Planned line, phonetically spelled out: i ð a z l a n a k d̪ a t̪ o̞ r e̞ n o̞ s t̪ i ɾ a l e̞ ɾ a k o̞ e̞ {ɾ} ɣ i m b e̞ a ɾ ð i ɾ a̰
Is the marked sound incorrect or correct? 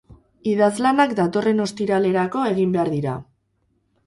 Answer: incorrect